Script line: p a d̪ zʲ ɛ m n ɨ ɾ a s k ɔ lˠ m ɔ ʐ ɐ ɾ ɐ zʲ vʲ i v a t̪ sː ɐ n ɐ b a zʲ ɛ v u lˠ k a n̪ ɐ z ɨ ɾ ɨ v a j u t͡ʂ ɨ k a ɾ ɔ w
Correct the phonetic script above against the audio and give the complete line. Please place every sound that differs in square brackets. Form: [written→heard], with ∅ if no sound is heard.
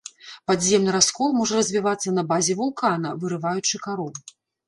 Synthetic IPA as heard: p a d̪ zʲ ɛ m n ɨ ɾ a s k ɔ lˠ m ɔ ʐ ɐ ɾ ɐ zʲ vʲ i v a t̪ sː ɐ n ɐ b a zʲ ɛ v u lˠ k a n̪ ɐ [z→v] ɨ ɾ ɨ v a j u t͡ʂ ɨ k a ɾ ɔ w